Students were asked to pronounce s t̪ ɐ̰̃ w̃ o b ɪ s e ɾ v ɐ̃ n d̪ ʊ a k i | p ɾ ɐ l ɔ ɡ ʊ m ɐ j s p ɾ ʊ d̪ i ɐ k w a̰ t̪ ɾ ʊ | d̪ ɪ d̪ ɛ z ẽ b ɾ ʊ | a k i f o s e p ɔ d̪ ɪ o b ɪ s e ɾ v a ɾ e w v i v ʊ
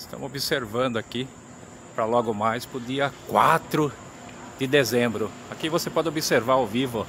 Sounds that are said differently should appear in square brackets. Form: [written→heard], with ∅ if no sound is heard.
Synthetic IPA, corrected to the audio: s t̪ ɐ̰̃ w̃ o b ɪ s e ɾ v ɐ̃ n d̪ ʊ a k i | p ɾ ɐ l ɔ ɡ ʊ m [ɐ→a] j s p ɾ ʊ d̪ i ɐ k w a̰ t̪ ɾ ʊ | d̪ ɪ d̪ [ɛ→e] z ẽ b ɾ ʊ | a k i [f→v] o s e p ɔ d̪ ɪ o b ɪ s e ɾ v a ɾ [e→a] w v i v ʊ